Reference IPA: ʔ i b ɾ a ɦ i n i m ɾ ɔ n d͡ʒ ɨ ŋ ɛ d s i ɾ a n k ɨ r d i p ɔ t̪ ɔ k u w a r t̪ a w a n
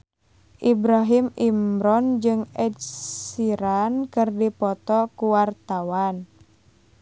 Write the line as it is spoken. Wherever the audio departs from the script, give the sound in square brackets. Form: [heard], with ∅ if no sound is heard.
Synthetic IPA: ʔ i b ɾ a ɦ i [m] i m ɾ ɔ n d͡ʒ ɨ ŋ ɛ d s i ɾ a n k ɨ r d i p ɔ t̪ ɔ k u w a r t̪ a w a n

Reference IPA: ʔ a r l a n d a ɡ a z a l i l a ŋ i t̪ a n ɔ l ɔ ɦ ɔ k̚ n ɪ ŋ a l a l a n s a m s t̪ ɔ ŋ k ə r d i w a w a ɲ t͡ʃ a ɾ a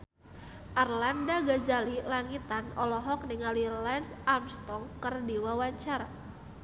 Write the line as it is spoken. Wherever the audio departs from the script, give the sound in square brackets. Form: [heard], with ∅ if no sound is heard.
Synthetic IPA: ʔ a r l a n d a ɡ a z a l i l a ŋ i t̪ a n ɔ l ɔ ɦ ɔ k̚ n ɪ ŋ a l [i] l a n s a m s t̪ ɔ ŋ k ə r d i w a w a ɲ t͡ʃ a ɾ a

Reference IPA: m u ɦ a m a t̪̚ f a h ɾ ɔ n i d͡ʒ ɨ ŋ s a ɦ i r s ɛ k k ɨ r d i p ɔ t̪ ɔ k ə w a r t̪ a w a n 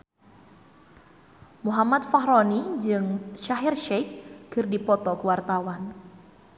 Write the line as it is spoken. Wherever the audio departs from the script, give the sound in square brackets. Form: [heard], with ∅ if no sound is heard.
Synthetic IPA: m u ɦ a m a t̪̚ f a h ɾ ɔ n i d͡ʒ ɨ ŋ [ʃ] a ɦ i r [ʃ] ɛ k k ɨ r d i p ɔ t̪ ɔ k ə w a r t̪ a w a n

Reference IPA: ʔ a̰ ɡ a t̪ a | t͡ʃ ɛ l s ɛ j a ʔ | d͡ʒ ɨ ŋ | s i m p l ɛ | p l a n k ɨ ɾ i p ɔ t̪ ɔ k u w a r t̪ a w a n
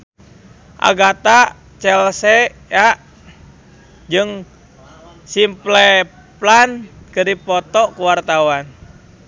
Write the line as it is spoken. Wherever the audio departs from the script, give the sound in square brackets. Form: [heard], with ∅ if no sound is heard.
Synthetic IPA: ʔ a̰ ɡ a t̪ a | t͡ʃ ɛ l s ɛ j a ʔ | d͡ʒ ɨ ŋ | s i m p l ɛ | p l a n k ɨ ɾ i p ɔ t̪ ɔ k u w a r t̪ a w a n

